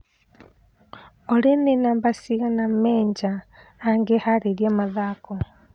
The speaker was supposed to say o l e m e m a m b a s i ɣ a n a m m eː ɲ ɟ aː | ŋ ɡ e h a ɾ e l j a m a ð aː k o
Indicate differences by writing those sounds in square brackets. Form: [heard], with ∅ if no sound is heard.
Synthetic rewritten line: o l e [n] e [n] a m b a s i ɣ a n a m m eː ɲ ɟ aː | ŋ ɡ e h a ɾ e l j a m a ð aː k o